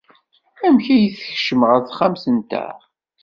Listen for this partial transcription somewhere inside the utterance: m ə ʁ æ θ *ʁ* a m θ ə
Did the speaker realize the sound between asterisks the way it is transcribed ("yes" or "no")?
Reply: no